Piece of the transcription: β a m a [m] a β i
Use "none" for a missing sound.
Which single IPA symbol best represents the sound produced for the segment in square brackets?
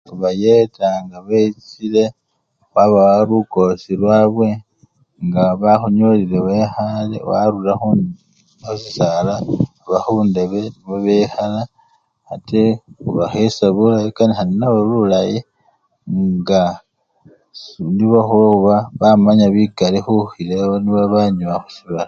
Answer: ɲ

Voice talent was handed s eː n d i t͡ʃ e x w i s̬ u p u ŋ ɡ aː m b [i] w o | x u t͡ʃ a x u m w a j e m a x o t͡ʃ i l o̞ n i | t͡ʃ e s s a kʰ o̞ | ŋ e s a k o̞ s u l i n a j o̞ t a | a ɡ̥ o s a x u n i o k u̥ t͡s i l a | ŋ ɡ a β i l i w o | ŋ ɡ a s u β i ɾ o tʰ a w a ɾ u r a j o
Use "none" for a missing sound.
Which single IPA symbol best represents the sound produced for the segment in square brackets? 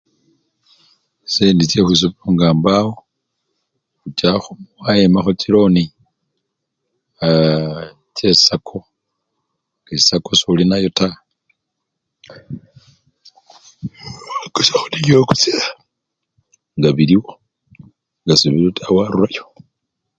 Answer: a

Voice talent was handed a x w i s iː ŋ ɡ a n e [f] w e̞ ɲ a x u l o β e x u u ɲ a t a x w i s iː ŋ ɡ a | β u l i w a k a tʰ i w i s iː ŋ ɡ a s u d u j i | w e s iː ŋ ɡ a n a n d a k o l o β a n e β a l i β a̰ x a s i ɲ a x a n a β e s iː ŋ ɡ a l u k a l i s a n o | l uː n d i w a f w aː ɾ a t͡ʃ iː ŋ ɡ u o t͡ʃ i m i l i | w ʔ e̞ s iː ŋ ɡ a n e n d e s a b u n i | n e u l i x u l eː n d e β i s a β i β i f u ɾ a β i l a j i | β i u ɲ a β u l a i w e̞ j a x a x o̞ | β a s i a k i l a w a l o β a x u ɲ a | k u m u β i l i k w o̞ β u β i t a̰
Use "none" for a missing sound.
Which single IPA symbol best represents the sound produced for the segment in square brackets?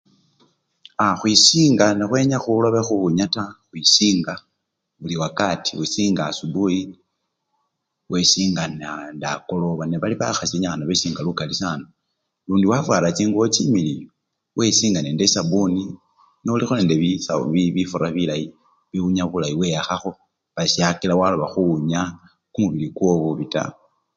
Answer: x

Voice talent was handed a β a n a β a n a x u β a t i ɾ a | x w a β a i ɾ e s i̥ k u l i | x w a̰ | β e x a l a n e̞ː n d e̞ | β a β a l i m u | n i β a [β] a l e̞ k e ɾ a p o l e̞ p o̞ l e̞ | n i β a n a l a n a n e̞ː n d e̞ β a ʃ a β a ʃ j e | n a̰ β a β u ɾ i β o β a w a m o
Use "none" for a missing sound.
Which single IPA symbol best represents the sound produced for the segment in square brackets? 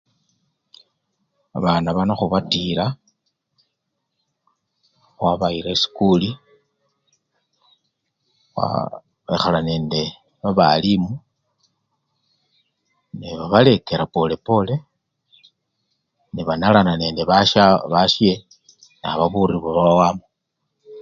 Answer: β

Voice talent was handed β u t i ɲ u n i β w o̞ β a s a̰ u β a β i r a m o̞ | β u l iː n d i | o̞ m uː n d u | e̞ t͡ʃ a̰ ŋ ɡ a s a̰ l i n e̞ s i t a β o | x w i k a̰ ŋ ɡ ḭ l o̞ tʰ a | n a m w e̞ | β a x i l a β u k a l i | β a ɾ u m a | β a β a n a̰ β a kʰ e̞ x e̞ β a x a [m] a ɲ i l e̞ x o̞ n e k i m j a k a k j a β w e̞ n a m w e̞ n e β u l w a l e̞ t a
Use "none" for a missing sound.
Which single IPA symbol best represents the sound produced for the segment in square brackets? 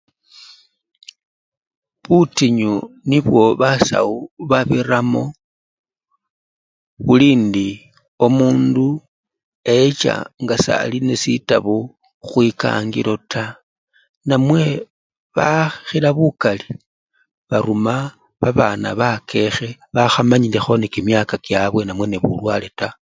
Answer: m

